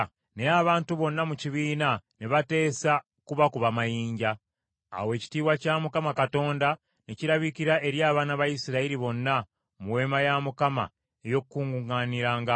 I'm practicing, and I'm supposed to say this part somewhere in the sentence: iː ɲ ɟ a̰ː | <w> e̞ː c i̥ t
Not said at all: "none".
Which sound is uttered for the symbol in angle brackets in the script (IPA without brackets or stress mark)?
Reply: w